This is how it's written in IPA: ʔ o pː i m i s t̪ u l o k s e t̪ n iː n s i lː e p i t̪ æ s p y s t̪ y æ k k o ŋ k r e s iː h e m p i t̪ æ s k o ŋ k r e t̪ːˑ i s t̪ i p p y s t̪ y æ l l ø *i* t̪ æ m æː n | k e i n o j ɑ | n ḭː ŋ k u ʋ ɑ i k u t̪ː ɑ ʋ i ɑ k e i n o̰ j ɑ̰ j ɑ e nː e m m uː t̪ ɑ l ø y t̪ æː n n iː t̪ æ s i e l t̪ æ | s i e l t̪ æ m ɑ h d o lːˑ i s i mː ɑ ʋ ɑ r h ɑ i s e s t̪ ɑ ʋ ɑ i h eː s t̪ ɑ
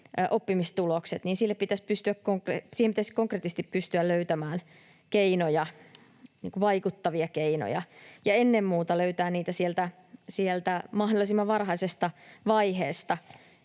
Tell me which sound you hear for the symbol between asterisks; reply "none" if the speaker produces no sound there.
y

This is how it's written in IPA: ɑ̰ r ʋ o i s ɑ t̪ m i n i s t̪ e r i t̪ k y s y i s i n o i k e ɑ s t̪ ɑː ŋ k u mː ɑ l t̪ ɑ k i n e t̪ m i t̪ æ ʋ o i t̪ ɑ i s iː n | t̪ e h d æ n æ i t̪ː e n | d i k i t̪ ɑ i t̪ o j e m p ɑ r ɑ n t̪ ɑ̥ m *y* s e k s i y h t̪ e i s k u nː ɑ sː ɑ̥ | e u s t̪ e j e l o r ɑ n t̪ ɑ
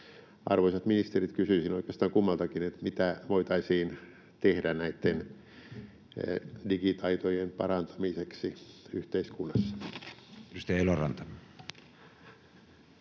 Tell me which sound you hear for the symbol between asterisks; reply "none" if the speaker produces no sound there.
i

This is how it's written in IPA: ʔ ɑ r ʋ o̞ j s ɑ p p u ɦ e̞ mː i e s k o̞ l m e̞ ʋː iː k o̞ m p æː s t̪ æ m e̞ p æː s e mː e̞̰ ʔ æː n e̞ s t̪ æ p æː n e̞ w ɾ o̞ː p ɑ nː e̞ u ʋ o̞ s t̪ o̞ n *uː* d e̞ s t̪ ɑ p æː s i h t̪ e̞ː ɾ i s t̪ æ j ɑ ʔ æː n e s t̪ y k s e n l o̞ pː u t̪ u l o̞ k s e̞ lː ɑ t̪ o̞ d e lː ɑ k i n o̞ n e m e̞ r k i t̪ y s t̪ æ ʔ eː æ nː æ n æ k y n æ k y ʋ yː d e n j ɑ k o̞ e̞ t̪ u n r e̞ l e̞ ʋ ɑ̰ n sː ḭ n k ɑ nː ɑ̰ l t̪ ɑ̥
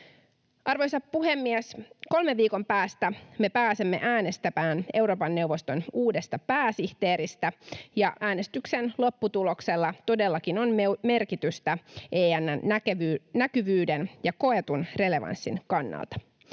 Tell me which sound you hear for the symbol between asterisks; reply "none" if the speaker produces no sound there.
uː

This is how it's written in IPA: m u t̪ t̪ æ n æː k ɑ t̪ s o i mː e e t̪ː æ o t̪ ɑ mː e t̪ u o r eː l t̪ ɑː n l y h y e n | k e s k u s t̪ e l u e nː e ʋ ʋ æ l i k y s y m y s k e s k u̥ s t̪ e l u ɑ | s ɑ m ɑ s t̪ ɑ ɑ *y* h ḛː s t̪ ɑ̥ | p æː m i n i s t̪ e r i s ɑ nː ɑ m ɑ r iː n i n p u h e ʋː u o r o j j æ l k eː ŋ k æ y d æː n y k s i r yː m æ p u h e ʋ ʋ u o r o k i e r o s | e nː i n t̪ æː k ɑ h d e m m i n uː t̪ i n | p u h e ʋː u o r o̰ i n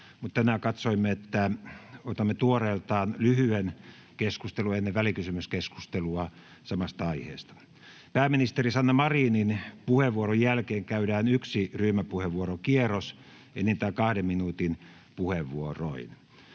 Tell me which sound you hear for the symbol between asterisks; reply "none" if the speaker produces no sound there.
i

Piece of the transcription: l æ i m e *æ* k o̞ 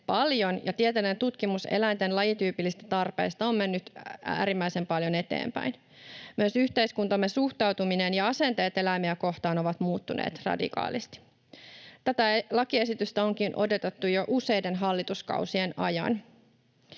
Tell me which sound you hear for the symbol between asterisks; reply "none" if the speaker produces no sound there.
æ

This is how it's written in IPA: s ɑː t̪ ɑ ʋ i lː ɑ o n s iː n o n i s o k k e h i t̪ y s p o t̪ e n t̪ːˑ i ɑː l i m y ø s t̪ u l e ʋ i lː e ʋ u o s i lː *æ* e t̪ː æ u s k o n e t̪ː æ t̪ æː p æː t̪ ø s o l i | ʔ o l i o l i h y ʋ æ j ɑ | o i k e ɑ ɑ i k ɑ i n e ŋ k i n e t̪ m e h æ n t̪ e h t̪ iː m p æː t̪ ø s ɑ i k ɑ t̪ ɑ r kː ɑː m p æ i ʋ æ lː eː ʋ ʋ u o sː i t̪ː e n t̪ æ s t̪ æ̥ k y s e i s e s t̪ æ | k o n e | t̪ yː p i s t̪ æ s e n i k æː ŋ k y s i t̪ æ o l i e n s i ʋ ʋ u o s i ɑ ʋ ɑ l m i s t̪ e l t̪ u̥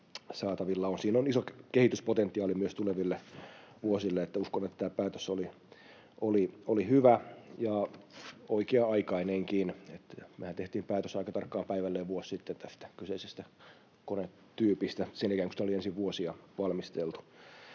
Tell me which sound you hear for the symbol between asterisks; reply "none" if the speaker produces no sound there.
e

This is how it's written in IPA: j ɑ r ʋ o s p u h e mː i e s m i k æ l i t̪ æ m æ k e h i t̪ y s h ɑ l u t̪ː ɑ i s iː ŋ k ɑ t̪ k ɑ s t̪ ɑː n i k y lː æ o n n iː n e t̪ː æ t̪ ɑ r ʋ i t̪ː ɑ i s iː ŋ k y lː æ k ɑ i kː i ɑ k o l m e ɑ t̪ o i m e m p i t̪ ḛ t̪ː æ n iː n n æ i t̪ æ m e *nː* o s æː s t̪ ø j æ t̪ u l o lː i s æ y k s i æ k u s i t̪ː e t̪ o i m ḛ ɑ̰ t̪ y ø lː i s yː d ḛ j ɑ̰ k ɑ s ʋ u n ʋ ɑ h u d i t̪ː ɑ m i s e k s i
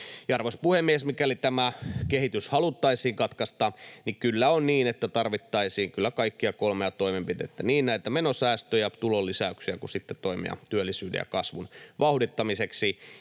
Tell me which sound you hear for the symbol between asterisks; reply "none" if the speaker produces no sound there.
n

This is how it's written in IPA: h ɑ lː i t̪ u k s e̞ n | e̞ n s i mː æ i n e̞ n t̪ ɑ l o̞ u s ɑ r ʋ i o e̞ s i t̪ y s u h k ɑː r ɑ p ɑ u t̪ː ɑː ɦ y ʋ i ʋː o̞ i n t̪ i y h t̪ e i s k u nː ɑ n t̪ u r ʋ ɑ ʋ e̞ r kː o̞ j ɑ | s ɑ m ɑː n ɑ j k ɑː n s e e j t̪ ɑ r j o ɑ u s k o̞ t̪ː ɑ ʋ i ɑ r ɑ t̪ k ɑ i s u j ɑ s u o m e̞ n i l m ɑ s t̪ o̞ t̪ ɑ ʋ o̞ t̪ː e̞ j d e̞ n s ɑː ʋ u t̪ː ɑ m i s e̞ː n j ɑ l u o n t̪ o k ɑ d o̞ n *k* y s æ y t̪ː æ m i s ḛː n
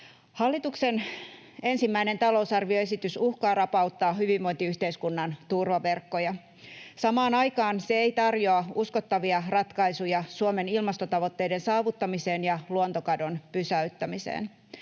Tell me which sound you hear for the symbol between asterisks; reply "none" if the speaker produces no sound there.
p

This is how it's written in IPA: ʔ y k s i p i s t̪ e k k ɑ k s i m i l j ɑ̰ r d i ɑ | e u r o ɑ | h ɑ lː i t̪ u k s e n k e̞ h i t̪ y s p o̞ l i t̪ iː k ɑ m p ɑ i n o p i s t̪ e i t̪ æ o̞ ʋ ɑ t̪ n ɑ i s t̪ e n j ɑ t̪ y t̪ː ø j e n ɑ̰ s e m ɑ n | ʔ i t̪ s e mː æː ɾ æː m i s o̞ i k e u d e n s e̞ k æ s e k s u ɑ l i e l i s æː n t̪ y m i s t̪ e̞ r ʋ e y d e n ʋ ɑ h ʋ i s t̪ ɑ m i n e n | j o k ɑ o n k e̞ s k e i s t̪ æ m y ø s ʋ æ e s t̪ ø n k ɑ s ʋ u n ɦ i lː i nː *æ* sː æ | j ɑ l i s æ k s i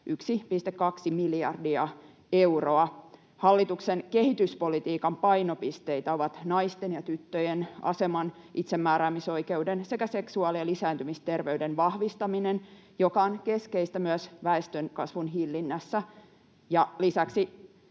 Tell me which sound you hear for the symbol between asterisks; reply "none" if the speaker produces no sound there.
æ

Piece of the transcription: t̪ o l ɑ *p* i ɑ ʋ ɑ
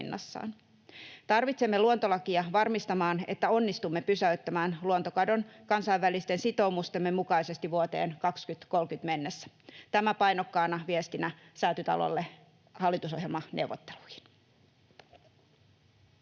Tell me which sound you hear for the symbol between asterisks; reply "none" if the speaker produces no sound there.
k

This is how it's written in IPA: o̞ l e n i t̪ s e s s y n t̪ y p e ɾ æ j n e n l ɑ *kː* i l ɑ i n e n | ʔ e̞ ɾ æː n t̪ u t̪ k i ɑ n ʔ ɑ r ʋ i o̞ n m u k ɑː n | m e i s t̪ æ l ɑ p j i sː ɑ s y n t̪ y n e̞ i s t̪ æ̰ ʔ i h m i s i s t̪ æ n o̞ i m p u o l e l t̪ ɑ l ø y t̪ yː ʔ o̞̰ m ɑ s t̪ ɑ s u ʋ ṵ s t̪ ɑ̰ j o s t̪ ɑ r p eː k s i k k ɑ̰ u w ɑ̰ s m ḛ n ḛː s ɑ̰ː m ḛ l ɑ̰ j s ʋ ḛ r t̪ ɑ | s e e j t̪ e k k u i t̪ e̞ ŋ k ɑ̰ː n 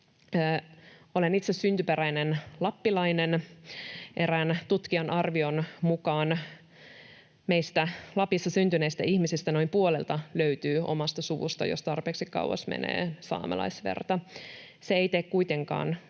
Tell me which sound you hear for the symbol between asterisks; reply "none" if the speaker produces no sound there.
pː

